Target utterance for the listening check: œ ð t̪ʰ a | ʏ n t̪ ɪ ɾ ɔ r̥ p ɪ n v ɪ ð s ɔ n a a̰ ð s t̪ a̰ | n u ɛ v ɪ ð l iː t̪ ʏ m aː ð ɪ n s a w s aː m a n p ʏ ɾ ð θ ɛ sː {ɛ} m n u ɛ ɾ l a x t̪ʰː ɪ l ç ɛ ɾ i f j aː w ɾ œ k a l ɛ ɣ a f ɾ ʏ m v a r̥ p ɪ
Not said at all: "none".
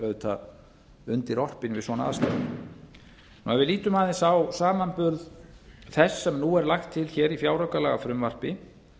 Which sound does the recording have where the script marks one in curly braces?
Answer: ɛ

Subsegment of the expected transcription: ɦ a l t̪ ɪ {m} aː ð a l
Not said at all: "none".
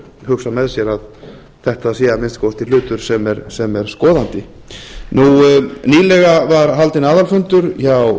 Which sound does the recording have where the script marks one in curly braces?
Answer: n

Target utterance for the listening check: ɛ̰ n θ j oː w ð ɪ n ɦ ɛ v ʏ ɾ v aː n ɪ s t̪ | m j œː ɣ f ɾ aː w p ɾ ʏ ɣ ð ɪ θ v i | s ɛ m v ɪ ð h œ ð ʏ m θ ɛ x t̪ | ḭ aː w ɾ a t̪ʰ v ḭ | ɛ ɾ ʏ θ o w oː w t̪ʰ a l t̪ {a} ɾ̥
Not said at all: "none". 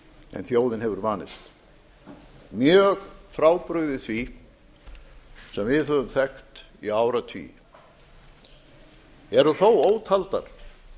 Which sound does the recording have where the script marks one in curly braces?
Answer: a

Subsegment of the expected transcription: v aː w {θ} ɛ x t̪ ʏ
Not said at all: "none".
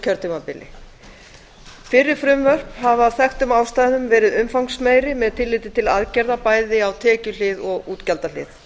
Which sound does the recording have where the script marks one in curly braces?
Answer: θ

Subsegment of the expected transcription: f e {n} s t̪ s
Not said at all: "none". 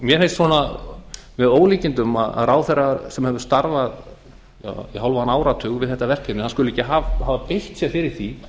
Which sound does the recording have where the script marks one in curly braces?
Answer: n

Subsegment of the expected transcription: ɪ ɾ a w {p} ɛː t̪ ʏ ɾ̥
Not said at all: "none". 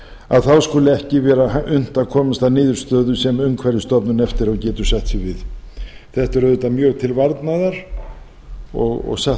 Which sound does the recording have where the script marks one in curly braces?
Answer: c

